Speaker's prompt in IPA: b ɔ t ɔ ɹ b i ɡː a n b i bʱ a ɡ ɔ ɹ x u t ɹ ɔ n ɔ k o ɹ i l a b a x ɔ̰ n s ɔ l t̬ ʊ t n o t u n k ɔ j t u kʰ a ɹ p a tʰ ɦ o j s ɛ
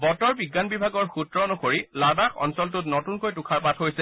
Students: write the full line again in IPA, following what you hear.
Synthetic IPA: b ɔ t ɔ ɹ b i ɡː a n b i bʱ a ɡ ɔ ɹ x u t ɹ ɔ n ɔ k o ɹ i l a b a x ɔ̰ n s ɔ l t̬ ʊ t n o t u n k o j t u kʰ a ɹ p a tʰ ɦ o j s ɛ